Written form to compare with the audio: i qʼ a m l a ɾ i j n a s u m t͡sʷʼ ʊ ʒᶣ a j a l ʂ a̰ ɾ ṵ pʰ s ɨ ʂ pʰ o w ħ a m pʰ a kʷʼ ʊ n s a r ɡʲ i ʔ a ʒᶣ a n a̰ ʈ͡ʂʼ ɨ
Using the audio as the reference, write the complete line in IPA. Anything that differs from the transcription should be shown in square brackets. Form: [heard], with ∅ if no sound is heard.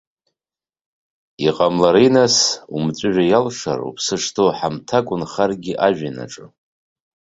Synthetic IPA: i qʼ a m l a ɾ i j n a s u m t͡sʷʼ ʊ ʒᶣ a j a l ʂ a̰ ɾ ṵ pʰ s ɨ ʂ [tʰ] o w ħ a m [tʰ] a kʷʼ ʊ n [χ] a r ɡʲ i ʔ a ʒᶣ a n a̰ ʈ͡ʂʼ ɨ